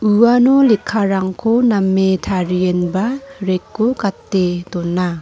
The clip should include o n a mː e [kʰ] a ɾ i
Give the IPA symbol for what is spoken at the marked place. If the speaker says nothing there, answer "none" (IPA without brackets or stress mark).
tʰ